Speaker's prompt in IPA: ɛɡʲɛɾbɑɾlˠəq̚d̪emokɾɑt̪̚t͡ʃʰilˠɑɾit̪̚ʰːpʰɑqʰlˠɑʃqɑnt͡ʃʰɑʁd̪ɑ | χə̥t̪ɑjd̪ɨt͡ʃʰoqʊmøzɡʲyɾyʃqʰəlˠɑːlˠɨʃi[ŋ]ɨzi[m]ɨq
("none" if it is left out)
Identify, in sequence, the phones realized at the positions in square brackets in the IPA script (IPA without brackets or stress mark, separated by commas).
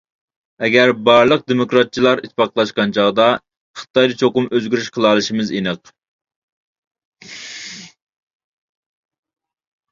m, n